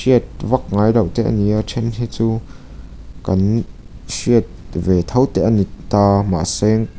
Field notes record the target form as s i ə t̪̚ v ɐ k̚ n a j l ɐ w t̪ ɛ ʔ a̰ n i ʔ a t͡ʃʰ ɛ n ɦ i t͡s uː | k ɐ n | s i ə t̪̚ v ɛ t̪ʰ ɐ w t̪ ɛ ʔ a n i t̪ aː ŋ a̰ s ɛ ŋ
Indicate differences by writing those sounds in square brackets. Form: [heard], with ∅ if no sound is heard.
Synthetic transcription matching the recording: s i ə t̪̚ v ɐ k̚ [ŋ] a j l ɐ w t̪ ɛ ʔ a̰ n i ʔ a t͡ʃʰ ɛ n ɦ i t͡s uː | k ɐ n | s i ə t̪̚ v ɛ t̪ʰ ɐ w t̪ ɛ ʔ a n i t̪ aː [m] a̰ s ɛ ŋ